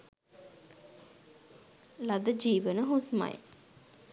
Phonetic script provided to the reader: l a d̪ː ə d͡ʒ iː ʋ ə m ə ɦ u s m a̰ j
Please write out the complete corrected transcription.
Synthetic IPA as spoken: l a d̪ ə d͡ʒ iː ʋ ə n ə ɦ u s m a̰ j